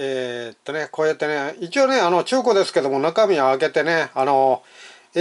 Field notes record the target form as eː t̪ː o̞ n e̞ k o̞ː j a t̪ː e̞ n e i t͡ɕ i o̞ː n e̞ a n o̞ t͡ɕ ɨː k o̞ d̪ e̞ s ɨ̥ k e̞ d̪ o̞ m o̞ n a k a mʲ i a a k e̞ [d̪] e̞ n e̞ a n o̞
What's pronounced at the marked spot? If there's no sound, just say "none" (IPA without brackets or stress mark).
t̪